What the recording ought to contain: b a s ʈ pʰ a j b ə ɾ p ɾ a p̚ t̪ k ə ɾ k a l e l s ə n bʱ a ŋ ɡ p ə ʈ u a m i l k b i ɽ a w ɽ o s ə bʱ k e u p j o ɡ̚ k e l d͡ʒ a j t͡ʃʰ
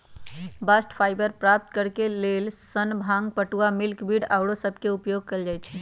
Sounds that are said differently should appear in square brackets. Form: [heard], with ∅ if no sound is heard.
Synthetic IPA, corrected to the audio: b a s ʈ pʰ a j b ə ɾ p ɾ a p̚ t̪ k ə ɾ k [e] l e l s ə n bʱ a ŋ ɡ p ə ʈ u a m i l k b i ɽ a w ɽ o s ə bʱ k e u p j o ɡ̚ k e l d͡ʒ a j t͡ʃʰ